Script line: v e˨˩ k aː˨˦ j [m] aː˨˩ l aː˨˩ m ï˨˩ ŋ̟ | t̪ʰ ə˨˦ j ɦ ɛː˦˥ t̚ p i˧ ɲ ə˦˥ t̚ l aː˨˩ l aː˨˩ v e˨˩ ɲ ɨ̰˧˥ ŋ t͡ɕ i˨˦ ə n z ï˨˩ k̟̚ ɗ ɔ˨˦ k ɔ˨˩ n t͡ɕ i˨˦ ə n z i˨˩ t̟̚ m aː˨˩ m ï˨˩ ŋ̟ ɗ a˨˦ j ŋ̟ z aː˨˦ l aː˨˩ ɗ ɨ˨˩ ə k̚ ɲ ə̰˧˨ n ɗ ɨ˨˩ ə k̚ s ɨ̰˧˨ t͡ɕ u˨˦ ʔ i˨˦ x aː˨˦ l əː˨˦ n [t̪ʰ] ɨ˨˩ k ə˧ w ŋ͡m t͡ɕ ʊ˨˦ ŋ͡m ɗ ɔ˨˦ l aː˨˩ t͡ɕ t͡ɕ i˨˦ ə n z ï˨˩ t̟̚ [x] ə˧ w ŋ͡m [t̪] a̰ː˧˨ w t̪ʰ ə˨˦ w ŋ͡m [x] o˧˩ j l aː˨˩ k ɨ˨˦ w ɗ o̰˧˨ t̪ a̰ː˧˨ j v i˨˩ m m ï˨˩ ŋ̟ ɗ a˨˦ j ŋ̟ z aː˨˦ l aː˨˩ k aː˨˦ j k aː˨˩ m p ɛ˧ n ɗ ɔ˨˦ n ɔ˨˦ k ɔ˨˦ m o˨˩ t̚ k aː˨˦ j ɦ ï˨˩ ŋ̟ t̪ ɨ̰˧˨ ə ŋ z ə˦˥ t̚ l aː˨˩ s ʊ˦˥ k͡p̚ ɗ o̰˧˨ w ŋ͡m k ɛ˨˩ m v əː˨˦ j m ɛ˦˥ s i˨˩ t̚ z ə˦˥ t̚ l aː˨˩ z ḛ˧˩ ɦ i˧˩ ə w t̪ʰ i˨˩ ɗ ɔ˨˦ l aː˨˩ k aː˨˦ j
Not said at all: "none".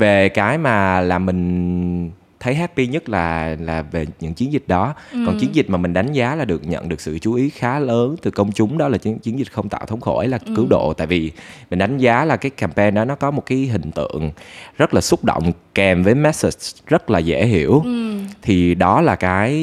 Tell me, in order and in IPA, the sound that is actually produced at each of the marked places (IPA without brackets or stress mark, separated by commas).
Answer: m, t̪, x, t̪, x